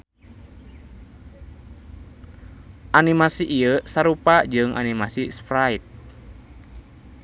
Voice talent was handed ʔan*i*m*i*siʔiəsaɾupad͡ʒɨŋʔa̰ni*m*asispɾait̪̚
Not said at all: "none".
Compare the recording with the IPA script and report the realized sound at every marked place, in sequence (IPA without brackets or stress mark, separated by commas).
i, a, m